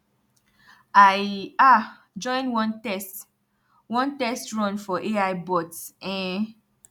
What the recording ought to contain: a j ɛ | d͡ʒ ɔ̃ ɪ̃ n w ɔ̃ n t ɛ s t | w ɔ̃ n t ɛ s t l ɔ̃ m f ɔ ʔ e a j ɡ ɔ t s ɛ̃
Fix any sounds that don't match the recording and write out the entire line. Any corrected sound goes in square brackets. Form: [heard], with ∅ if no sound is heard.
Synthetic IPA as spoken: a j [a] | d͡ʒ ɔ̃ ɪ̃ n w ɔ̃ n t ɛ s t | w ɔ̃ n t ɛ s t [ɹ] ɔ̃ [n] f ɔ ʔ e a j [b] ɔ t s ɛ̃